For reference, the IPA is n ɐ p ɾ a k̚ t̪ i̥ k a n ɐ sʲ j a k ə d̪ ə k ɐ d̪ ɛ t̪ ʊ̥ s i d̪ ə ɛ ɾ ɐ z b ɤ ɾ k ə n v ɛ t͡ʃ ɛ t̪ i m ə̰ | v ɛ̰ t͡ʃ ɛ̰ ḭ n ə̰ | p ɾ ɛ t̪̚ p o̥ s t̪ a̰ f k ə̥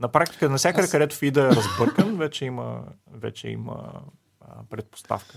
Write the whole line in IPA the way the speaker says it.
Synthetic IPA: n ɐ p ɾ a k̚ t̪ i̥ k ə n ɐ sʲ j a k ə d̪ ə k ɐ d̪ ɛ t̪ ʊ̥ f i d̪ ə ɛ ɾ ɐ z b ɤ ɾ k ə n v ɛ t͡ʃ ɛ i m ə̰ | v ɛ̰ t͡ʃ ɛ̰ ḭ m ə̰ | p ɾ ɛ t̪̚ p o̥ s t̪ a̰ f k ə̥